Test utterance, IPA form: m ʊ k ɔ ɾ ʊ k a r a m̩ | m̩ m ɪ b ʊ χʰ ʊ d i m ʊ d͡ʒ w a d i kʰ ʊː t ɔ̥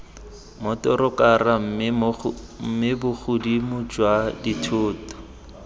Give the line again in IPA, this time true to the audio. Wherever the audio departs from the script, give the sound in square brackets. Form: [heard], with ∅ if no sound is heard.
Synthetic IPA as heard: m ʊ [t] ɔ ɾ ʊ k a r a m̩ | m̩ m ɪ b ʊ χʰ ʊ d i m ʊ d͡ʒ w a d i [tʰ] ʊː t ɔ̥